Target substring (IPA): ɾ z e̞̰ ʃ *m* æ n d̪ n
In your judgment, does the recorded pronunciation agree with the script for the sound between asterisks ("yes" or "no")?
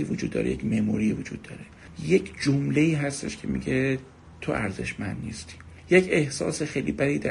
yes